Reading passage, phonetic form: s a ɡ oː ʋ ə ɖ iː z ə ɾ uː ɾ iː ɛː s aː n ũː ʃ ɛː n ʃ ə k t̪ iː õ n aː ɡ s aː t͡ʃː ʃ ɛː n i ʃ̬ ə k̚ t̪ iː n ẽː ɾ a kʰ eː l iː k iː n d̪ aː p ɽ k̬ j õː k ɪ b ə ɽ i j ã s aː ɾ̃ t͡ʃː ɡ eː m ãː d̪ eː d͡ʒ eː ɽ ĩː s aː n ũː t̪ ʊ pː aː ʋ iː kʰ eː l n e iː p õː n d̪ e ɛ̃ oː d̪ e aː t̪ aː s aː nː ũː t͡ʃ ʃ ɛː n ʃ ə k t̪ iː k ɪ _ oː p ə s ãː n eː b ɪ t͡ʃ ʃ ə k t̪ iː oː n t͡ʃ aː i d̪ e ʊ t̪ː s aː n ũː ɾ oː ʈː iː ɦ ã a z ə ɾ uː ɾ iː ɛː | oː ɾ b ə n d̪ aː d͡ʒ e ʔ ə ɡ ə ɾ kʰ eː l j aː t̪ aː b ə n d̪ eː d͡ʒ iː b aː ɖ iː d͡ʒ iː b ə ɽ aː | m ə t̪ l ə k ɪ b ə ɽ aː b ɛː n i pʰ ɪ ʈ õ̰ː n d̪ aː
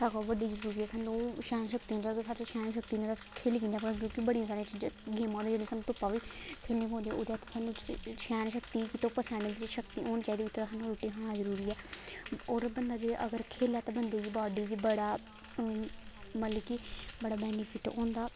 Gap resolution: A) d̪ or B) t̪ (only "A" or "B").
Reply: B